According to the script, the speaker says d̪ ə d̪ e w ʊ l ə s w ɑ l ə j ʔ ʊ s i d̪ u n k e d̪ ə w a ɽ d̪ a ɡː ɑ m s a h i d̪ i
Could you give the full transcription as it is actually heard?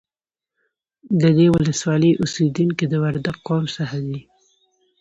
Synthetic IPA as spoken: d̪ ə d̪ e w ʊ l ə s w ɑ l ə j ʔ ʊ s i d̪ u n k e d̪ ə w a ɾ d̪ a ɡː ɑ m s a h a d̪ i